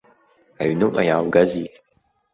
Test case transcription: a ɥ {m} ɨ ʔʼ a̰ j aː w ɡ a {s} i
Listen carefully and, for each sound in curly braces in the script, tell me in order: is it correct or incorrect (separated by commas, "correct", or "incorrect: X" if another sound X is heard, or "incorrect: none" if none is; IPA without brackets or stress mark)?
incorrect: n, incorrect: z